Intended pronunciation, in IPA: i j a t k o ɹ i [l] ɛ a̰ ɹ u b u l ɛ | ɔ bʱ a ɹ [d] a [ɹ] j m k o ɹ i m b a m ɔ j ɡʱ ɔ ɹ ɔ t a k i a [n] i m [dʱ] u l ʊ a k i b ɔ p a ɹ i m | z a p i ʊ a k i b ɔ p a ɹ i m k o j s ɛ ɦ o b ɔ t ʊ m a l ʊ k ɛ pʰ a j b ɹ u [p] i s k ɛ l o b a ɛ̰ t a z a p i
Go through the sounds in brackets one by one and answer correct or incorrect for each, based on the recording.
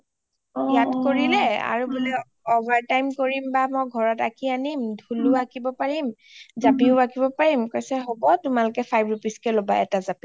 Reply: correct, incorrect, incorrect, correct, correct, correct

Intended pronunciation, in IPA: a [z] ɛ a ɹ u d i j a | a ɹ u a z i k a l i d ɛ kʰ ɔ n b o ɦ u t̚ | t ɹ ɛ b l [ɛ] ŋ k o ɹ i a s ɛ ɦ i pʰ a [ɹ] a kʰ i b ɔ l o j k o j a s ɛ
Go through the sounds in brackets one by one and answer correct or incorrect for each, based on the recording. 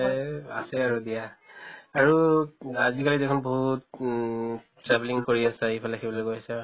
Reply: incorrect, incorrect, incorrect

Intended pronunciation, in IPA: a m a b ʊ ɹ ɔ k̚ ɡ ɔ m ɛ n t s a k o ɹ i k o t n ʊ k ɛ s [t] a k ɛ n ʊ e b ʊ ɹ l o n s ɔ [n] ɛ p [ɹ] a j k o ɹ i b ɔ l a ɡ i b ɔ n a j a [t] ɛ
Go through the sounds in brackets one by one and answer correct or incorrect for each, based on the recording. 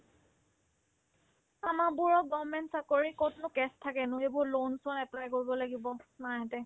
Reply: incorrect, correct, incorrect, correct

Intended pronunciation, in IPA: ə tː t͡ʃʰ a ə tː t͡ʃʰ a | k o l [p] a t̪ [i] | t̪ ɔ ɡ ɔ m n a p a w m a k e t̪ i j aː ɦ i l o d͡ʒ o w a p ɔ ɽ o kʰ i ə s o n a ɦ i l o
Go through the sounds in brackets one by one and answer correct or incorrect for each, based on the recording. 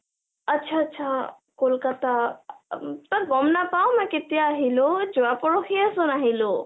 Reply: incorrect, incorrect

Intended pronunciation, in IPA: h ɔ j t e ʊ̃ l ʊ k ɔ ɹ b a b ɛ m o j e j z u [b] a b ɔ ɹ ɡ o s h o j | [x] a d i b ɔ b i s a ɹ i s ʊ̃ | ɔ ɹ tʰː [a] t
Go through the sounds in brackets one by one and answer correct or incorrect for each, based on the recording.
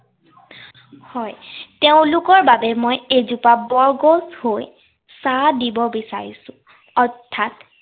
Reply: incorrect, incorrect, correct

